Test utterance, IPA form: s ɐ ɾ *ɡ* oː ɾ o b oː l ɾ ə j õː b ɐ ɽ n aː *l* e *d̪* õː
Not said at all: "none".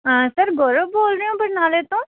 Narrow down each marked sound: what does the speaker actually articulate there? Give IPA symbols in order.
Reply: ɡ, l, t̪

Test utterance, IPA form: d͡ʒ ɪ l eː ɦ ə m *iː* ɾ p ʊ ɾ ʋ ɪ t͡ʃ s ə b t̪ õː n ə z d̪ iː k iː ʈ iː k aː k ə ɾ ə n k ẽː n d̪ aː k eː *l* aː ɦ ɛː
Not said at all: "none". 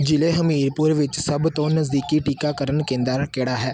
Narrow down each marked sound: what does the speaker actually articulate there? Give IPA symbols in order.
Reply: iː, ɽ

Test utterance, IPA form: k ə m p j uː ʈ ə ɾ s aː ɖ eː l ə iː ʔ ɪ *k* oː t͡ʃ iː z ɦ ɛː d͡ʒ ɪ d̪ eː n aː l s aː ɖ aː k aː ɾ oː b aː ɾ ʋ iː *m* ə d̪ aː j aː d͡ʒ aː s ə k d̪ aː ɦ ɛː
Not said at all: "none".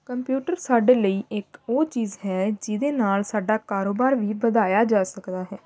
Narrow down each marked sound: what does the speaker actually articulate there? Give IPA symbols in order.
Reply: k, b

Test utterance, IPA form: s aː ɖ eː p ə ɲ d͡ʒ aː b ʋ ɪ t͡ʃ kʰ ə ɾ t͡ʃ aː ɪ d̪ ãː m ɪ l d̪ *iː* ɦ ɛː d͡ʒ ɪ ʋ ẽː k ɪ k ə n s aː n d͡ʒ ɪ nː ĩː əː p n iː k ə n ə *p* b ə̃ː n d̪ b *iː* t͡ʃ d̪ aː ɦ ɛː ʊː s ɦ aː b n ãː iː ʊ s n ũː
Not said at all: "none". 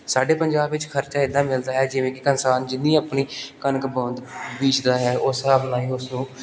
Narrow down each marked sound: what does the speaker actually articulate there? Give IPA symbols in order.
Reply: aː, k, iː

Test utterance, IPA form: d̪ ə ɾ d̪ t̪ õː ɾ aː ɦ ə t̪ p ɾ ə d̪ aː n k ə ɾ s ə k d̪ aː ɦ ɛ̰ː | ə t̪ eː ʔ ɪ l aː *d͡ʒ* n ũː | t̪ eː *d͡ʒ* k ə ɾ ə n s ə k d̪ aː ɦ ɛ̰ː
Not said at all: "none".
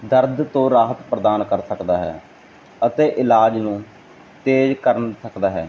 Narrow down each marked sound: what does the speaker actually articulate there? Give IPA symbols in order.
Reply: d͡ʒ, d͡ʒ

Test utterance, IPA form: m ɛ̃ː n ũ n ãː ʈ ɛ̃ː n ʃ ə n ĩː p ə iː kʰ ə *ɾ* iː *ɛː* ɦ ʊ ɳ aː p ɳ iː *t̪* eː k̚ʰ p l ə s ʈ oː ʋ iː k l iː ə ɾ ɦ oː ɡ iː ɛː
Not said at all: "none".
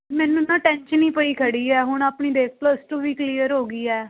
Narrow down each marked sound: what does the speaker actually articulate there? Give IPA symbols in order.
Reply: ɽ, ɛː, d̪

